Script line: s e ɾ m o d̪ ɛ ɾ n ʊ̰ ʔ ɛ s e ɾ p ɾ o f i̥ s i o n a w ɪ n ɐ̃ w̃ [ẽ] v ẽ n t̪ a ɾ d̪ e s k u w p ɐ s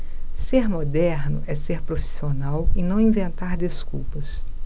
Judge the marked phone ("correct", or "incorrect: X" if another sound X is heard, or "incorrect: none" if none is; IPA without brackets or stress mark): incorrect: ĩ